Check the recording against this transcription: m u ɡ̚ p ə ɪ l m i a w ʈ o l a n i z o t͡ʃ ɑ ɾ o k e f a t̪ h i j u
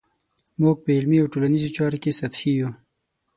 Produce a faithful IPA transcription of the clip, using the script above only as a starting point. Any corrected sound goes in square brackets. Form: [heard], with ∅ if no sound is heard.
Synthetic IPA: m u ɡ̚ p ə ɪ l m i a w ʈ o l a n i z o t͡ʃ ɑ ɾ o k e [s] a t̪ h i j u